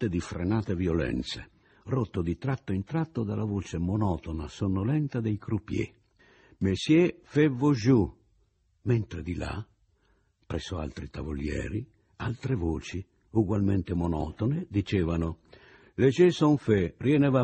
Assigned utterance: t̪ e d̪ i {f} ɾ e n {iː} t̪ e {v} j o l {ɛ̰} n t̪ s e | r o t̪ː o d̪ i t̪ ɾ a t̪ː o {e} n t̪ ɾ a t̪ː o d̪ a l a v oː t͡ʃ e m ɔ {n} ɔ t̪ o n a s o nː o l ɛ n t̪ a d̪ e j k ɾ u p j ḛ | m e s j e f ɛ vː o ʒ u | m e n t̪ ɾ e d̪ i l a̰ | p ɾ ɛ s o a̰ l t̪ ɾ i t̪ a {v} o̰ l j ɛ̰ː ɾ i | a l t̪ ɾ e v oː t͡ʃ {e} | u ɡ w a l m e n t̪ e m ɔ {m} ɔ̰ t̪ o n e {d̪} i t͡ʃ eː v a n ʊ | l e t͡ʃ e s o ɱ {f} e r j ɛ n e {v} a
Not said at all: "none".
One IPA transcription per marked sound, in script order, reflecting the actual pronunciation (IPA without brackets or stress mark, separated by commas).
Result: f, aː, v, ɛ̰, i, n, v, i, n, d̪, f, v